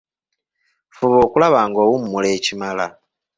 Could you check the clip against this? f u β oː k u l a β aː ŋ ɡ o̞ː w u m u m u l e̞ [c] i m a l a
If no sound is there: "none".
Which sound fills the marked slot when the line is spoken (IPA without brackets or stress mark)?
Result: c